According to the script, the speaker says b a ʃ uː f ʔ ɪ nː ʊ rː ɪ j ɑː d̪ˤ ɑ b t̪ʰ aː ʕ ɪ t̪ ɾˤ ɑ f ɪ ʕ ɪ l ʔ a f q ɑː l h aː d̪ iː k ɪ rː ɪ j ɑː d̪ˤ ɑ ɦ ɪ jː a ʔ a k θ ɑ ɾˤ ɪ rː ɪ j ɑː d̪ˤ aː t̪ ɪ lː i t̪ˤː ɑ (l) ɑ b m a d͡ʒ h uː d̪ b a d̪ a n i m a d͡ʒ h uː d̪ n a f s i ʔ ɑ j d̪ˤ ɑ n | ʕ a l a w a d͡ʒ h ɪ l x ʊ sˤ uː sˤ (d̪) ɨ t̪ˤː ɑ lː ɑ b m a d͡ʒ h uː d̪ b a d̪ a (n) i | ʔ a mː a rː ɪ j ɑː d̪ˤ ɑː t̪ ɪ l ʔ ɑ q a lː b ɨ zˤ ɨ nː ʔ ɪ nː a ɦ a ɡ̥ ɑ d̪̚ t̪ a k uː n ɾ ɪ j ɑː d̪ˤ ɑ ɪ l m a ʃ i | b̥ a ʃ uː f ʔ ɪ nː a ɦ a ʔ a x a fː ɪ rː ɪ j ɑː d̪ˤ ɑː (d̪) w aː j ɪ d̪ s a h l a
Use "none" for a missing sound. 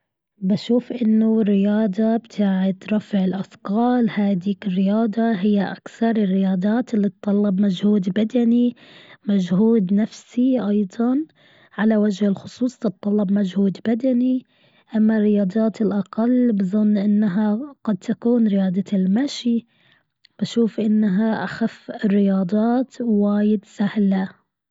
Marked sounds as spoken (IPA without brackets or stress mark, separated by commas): lː, t̪, n, t̪